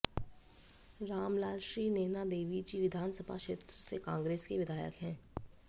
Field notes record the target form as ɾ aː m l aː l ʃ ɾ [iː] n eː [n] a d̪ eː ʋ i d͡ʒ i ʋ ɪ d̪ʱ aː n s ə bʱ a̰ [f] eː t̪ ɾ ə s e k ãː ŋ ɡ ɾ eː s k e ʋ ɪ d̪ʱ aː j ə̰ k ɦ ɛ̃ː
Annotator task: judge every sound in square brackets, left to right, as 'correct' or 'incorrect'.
correct, correct, incorrect: ʃ

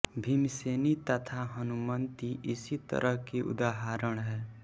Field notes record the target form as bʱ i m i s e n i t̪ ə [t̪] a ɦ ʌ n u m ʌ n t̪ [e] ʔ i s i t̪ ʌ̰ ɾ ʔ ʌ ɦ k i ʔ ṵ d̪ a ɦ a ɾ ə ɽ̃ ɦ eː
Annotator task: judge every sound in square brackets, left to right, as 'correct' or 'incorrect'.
incorrect: t̪ʰ, incorrect: i

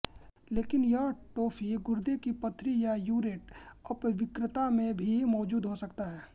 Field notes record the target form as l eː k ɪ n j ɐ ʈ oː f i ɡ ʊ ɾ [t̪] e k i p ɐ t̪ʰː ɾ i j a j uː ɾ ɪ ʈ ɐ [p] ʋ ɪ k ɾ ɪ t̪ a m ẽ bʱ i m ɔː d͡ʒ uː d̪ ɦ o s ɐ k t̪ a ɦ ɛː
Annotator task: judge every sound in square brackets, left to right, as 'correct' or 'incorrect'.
incorrect: d̪, correct

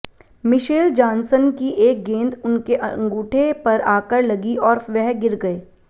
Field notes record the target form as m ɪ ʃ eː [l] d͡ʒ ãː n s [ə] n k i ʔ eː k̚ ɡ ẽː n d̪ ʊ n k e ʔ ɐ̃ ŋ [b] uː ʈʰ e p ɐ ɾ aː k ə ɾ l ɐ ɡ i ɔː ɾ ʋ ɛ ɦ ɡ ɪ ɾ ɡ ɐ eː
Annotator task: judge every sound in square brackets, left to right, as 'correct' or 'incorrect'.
correct, correct, incorrect: ɡ

